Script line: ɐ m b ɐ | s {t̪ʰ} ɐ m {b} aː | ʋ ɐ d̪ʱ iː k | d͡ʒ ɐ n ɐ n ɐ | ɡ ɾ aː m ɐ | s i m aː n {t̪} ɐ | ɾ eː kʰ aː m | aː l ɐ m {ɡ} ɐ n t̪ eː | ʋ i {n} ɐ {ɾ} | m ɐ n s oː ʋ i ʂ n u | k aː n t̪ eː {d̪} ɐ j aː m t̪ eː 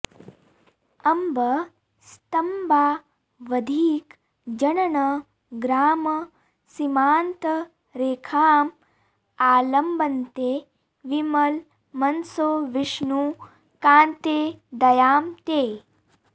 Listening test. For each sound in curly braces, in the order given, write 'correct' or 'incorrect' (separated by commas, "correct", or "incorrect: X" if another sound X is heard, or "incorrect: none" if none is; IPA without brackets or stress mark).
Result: incorrect: t̪, correct, correct, incorrect: b, incorrect: m, incorrect: l, correct